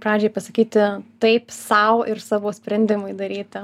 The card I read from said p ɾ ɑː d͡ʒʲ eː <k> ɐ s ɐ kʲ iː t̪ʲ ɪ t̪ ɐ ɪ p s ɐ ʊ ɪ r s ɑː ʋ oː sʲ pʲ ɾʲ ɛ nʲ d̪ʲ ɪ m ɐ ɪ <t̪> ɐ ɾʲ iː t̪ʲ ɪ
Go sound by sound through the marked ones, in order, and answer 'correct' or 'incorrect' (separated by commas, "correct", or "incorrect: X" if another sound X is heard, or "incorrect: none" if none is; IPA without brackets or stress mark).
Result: incorrect: p, incorrect: d̪